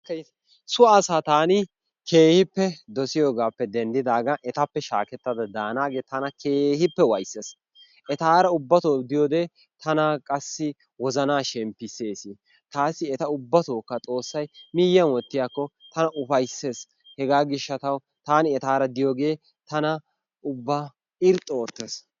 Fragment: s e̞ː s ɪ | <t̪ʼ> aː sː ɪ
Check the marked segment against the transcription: incorrect: t̪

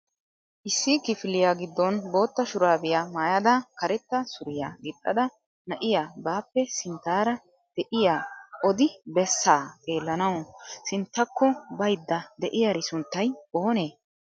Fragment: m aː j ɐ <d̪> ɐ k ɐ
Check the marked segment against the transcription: correct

